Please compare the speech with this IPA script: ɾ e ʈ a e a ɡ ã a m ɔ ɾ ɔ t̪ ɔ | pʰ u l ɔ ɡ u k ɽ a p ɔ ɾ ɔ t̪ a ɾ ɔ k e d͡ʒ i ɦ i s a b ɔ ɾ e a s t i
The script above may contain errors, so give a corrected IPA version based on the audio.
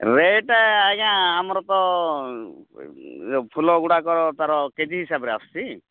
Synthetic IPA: ɾ e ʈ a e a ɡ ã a m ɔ ɾ ɔ t̪ ɔ | pʰ u l ɔ ɡ u ɽ a k ɔ ɾ ɔ t̪ a ɾ ɔ k e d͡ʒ i ɦ i s a b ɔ ɾ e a s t i